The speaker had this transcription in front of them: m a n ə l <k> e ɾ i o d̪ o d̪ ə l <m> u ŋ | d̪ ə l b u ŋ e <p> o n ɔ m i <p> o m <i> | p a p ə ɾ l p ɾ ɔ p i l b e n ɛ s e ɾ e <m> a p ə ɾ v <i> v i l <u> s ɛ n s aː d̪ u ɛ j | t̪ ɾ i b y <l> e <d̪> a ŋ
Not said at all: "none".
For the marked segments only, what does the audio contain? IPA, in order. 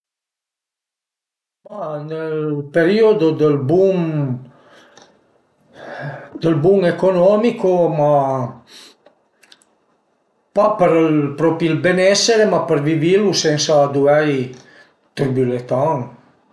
p, b, k, k, a, m, i, u, l, t̪

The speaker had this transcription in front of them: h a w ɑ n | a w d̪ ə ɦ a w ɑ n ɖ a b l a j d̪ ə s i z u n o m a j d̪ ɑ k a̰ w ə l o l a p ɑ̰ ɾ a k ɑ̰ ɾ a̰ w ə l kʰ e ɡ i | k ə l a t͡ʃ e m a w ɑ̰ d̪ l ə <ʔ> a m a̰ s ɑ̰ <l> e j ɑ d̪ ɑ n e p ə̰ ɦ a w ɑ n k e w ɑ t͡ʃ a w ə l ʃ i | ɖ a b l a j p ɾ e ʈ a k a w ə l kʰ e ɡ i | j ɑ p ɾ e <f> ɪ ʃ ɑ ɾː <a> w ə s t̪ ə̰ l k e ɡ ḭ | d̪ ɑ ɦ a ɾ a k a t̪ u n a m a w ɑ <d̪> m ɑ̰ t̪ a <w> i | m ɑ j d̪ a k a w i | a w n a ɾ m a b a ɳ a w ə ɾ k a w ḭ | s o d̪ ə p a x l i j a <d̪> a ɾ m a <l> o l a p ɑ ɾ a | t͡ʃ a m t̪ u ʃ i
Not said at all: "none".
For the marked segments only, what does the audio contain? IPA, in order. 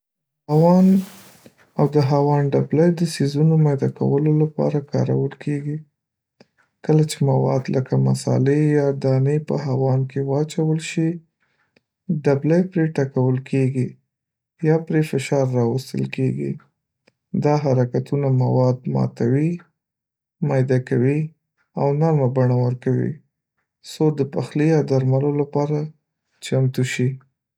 k, l, f, ɑ, d̪, w, d̪, l

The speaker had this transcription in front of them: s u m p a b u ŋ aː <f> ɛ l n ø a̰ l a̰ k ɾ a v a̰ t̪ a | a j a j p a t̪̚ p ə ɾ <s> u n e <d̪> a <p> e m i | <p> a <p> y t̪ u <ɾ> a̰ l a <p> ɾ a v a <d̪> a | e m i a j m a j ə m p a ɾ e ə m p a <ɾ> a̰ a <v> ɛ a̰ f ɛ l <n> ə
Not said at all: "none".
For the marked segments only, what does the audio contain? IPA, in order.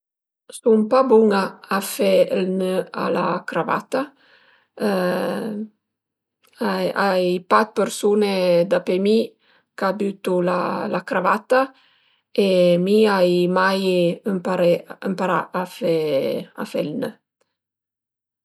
f, s, d̪, p, k, b, l, k, t̪, ɾ, f, n

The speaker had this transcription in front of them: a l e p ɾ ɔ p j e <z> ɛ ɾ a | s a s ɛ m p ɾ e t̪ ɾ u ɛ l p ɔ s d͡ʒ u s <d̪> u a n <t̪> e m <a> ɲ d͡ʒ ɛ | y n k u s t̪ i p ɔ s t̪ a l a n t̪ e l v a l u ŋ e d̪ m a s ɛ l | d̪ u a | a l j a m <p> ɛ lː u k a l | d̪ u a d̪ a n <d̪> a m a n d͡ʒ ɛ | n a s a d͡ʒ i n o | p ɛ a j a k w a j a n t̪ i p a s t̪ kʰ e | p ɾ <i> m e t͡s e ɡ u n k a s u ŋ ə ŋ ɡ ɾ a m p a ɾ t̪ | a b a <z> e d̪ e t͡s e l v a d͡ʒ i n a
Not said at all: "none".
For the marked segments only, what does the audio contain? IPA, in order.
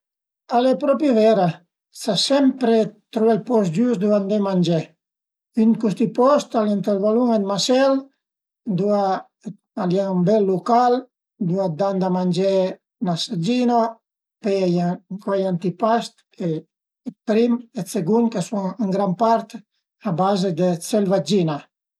v, d̪, d̪, a, b, d̪, i, z

